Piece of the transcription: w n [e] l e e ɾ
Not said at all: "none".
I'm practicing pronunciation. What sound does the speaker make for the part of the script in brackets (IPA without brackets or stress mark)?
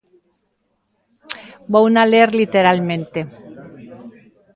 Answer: a